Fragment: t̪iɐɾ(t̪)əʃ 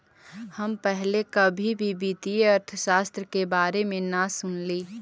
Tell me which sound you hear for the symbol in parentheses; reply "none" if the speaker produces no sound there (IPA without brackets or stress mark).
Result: t̪ʰ